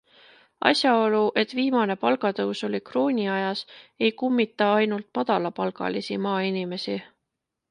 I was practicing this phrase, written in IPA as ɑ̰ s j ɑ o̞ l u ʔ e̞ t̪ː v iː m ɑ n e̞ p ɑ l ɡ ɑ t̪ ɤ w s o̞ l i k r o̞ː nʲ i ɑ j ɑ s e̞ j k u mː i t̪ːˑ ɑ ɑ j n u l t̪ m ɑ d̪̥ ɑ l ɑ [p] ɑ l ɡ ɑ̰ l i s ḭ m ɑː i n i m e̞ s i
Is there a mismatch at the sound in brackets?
no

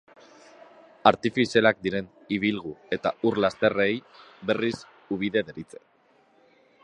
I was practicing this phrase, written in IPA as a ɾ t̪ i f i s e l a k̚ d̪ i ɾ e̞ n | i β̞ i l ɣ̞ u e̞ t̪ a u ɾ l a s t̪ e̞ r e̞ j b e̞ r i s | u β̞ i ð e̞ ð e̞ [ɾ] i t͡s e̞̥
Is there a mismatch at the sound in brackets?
no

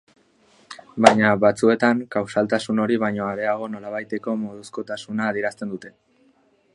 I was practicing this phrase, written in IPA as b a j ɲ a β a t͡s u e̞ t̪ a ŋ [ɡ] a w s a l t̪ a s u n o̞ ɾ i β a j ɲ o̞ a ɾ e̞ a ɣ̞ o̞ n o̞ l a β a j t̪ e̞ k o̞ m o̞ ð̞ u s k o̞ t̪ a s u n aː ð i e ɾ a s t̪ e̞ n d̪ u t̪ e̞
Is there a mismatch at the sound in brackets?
yes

